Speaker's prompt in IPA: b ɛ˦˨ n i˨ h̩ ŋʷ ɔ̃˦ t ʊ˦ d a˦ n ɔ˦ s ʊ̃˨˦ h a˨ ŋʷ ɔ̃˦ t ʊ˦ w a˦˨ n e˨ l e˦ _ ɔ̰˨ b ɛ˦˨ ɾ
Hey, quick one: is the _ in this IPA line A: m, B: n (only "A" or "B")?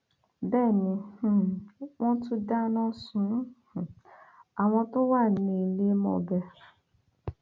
A